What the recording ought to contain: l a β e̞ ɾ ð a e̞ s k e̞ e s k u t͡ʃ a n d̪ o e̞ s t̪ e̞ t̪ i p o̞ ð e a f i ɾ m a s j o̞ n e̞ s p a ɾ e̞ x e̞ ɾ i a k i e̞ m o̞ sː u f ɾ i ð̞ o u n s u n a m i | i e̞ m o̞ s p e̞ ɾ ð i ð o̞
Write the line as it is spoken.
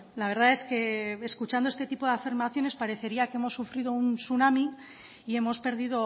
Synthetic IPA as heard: l a β e̞ ɾ ð a e̞ s k e̞ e s k u t͡ʃ a n d̪ o e̞ s t̪ e̞ t̪ i p o̞ ð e a f i ɾ m a θ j o̞ n e̞ s p a ɾ e̞ θ e̞ ɾ i a k e e̞ m o̞ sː u f ɾ i ð̞ o u n s u n a m i | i e̞ m o̞ s p e̞ ɾ ð i ð o̞